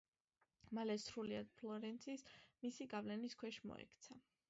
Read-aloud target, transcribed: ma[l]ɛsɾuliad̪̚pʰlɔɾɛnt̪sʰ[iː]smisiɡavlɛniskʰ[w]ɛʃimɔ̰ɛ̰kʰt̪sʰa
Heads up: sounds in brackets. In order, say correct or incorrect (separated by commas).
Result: correct, incorrect, correct